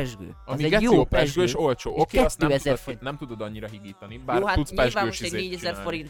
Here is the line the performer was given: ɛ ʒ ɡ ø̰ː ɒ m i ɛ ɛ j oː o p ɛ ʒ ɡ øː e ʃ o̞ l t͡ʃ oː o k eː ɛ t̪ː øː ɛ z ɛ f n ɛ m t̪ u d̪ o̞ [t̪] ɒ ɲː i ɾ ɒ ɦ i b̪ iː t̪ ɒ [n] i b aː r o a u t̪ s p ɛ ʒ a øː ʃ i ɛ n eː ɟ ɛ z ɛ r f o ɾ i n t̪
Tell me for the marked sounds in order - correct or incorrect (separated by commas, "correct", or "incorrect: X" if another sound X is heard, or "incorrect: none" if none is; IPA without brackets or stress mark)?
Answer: incorrect: d̪, correct